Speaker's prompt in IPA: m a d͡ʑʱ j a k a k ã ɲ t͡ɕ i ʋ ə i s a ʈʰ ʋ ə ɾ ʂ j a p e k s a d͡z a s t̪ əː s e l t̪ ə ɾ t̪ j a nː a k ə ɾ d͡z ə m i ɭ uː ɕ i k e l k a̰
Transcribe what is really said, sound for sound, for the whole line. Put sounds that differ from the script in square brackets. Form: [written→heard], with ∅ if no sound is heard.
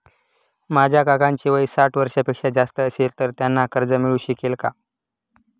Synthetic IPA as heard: m a d͡ʑʱ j a k a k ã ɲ t͡ɕ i ʋ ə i s a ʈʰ ʋ ə ɾ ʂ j a p e k [s→ʂ] a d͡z a s t̪ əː s e l t̪ ə ɾ t̪ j a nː a k ə ɾ d͡z ə m i ɭ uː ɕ i k e l k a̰